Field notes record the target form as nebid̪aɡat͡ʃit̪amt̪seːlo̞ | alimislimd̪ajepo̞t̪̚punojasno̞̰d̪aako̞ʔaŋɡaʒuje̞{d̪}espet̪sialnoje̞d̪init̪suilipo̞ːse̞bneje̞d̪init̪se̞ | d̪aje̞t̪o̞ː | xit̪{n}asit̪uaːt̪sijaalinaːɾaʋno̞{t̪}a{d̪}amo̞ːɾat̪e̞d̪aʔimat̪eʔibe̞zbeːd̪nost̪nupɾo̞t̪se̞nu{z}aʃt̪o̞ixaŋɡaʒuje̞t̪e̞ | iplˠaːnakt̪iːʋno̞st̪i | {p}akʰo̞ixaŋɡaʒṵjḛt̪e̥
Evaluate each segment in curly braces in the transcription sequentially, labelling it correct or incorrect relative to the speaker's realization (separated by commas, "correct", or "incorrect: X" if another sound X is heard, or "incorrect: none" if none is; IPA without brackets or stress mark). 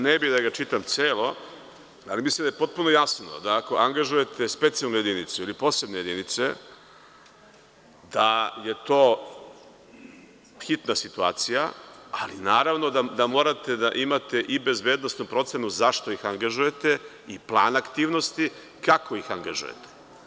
incorrect: t̪, correct, incorrect: d̪, correct, correct, incorrect: k